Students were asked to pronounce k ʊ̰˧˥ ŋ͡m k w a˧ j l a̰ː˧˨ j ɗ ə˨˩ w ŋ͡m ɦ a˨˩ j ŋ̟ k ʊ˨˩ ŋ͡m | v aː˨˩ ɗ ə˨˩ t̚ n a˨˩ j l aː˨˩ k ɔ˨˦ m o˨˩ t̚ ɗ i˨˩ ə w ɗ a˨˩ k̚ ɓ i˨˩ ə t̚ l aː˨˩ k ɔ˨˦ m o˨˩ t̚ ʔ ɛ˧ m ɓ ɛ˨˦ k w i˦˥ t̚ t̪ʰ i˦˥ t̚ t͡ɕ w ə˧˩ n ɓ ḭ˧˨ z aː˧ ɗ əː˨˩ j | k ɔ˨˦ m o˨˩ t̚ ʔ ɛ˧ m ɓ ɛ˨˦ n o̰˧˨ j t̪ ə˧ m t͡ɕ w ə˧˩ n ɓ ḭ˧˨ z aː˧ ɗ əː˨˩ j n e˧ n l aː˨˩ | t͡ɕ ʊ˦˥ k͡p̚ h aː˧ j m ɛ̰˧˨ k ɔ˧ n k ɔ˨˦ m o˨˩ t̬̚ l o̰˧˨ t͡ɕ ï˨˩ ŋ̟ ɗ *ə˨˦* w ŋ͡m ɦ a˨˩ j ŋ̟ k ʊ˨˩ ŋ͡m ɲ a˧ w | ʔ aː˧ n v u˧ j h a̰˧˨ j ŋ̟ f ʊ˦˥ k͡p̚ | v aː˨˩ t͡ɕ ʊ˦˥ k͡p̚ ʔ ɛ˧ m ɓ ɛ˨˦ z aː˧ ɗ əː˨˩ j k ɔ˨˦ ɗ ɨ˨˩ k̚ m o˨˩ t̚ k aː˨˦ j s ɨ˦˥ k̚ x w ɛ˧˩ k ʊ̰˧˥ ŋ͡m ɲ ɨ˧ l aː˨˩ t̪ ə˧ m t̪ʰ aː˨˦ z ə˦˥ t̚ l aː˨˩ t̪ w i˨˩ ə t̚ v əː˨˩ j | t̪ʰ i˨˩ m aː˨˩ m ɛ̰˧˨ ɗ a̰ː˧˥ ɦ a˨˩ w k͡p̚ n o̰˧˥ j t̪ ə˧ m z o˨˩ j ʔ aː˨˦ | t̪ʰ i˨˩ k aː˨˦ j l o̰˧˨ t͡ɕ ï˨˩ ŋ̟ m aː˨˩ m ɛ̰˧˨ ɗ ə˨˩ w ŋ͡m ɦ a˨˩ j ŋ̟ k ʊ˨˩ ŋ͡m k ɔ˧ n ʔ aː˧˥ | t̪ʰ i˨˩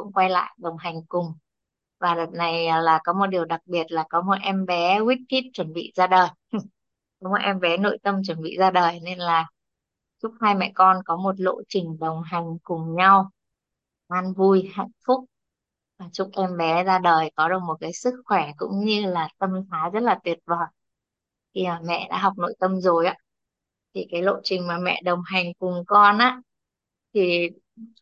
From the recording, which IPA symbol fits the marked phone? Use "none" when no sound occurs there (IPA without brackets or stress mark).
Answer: ə˨˩